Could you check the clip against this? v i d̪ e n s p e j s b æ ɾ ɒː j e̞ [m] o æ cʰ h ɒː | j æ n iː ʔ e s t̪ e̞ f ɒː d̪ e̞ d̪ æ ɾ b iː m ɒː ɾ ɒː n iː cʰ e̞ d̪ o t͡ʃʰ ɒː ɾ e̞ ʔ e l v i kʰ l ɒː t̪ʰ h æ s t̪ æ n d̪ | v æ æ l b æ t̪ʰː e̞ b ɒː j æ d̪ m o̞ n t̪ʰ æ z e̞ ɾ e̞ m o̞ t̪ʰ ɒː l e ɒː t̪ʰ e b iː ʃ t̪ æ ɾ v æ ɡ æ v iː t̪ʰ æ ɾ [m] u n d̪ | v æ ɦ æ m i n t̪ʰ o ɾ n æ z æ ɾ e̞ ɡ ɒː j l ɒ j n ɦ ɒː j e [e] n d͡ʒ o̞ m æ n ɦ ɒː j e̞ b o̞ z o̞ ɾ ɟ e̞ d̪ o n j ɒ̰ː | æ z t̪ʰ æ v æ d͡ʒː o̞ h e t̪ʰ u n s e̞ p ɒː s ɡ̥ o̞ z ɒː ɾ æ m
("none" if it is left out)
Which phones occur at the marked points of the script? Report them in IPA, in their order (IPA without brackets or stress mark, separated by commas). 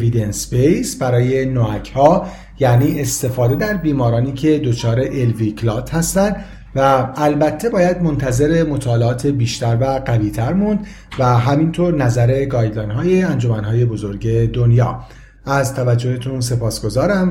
n, m, æ